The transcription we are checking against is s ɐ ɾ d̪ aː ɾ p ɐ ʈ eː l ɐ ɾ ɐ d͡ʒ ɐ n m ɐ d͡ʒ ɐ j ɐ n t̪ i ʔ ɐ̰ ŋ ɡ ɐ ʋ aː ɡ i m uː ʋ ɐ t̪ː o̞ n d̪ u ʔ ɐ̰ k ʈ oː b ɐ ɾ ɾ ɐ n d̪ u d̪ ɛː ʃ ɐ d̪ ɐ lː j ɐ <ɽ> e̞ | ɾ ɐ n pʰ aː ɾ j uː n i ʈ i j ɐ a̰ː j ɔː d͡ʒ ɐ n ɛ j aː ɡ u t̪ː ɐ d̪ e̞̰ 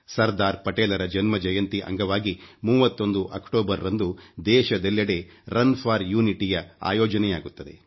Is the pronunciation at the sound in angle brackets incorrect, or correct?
correct